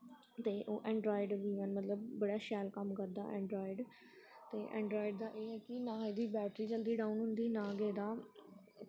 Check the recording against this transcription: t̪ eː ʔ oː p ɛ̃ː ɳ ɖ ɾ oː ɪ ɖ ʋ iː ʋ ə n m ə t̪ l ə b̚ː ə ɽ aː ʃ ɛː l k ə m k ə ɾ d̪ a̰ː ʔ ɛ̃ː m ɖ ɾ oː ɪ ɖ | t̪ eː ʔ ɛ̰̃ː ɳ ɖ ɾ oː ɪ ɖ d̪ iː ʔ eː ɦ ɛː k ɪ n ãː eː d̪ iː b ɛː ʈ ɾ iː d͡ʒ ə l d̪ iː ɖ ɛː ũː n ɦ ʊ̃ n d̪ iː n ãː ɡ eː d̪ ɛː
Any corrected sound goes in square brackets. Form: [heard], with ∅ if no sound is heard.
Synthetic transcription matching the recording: t̪ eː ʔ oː [ʔ] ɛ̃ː ɳ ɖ ɾ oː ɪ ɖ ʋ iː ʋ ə n m ə t̪ l ə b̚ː ə ɽ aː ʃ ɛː l k ə m k ə ɾ d̪ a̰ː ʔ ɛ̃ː [ɳ] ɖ ɾ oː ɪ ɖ | t̪ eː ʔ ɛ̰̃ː ɳ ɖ ɾ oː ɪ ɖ d̪ [aː] ʔ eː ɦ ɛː k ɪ n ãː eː d̪ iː b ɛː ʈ ɾ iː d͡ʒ ə l d̪ iː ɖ [aː] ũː n ɦ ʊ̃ n d̪ iː n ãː ɡ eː d̪ [aː]

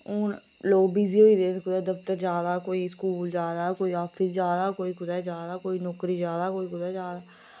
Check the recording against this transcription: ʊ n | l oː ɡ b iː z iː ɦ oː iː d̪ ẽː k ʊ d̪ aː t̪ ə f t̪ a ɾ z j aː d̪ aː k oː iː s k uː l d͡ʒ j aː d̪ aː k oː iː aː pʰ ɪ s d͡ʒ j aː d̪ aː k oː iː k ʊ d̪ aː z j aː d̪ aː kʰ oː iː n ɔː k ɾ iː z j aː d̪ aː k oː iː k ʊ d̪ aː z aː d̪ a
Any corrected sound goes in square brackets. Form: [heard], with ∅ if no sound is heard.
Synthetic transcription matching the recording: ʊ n | l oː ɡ b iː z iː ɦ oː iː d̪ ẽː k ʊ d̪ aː [d̪] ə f t̪ [ə] ɾ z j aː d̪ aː k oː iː s k uː l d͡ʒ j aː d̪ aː k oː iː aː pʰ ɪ s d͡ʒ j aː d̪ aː k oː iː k ʊ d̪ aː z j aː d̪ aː [k] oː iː n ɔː k ɾ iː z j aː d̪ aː k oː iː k ʊ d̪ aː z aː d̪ a

